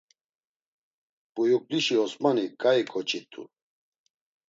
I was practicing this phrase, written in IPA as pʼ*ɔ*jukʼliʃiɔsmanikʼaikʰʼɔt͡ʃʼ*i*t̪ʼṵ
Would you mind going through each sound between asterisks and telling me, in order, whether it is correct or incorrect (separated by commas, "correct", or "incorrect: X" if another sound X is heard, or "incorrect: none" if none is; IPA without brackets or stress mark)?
incorrect: u, correct